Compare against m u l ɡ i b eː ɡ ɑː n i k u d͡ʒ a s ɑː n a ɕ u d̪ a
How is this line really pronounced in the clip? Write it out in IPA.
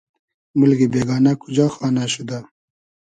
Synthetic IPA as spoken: m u l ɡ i b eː ɡ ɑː n a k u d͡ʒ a x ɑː n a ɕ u d̪ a